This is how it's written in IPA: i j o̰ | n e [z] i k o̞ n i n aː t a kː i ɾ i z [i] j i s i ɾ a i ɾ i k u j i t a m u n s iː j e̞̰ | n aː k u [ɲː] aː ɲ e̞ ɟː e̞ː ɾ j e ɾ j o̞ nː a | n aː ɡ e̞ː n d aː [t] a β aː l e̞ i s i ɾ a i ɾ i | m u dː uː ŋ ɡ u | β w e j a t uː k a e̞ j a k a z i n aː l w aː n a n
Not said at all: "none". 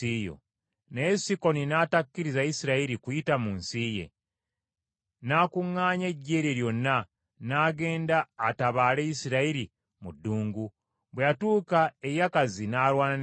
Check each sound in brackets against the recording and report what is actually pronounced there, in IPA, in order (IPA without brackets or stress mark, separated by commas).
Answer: s, a, ŋː, t